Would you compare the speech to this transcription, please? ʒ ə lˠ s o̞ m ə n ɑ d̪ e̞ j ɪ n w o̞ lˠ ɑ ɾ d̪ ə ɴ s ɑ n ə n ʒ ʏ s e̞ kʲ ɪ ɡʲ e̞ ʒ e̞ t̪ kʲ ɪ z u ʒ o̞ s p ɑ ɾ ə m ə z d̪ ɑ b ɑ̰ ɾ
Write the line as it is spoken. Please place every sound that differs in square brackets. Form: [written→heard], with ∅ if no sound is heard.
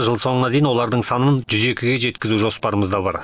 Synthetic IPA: ʒ ə lˠ s o̞ [m→ɴ] ə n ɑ d̪ e̞ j ɪ n w o̞ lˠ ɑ ɾ d̪ ə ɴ s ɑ n ə n ʒ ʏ [s→z] e̞ kʲ ɪ ɡʲ e̞ ʒ e̞ t̪ kʲ ɪ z u ʒ o̞ s p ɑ ɾ ə m ə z d̪ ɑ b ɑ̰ ɾ